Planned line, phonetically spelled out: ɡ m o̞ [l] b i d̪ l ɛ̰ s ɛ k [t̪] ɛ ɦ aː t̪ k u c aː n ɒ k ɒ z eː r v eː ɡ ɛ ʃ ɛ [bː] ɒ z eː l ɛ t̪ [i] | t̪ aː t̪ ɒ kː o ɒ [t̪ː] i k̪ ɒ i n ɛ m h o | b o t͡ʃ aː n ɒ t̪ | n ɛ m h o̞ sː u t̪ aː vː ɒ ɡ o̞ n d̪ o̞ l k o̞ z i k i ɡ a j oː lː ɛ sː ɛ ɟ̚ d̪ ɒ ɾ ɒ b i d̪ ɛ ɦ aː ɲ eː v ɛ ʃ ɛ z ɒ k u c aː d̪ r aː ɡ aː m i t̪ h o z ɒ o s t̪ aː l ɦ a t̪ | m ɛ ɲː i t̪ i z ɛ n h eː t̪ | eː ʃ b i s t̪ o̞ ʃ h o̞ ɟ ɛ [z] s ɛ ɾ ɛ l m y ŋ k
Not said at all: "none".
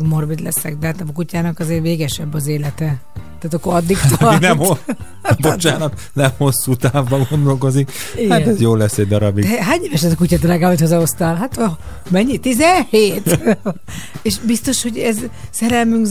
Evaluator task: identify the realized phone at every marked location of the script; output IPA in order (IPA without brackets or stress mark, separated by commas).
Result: r, d̪, bː, ɛ, d̪ː, z